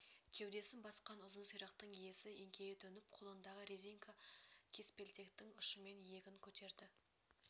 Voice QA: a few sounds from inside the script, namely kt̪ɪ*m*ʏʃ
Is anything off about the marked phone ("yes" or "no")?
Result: yes